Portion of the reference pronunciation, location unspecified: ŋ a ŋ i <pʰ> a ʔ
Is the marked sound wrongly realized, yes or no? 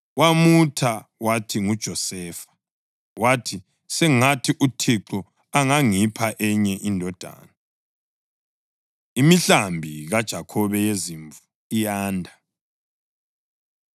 no